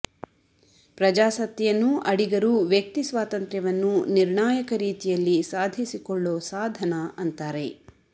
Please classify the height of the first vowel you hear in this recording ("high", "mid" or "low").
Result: low